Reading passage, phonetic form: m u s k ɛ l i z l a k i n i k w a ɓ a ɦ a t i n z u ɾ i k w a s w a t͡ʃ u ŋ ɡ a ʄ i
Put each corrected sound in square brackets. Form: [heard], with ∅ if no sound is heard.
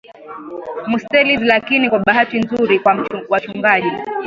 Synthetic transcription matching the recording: m u s [t] ɛ l i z l a k i n i k w a ɓ a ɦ a t i n z u ɾ i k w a [∅] w a t͡ʃ u ŋ ɡ a ʄ i